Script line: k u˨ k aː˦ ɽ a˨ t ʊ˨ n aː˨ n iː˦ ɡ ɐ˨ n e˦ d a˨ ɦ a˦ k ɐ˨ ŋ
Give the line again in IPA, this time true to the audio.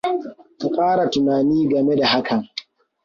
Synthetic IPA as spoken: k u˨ kʼ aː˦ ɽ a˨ t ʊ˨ n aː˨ n iː˦ ɡ ɐ˨ m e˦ d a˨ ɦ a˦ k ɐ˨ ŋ